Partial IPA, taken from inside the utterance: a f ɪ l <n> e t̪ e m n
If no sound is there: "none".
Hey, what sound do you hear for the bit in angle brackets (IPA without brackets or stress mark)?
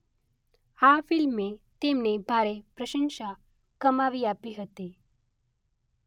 m